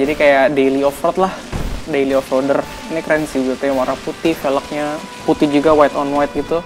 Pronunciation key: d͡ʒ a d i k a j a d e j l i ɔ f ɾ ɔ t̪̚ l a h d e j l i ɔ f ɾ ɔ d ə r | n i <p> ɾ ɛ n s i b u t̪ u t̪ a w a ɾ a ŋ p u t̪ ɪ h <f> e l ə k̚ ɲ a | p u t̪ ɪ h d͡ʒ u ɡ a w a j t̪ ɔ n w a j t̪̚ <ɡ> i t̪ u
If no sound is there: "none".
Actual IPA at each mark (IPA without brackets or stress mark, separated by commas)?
k, f, ɡ